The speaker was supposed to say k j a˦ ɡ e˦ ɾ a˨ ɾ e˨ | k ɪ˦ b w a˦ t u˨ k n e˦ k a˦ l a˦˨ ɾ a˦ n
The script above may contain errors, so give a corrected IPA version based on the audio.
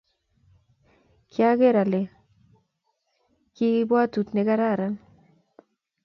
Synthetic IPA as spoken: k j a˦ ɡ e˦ ɾ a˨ l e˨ | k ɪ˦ b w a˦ t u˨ t n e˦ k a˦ ɾ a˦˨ ɾ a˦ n